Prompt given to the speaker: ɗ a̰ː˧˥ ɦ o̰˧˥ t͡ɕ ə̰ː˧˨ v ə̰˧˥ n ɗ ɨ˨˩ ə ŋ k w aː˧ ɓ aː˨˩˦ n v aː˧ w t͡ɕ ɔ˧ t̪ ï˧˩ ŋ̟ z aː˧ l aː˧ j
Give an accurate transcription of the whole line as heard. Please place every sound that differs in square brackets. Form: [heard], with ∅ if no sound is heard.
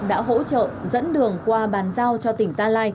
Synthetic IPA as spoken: ɗ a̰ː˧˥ ɦ o̰˧˥ t͡ɕ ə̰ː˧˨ [z] ə̰˧˥ n ɗ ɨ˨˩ ə ŋ k w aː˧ ɓ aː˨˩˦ n [z] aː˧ w t͡ɕ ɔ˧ t̪ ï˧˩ ŋ̟ z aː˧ l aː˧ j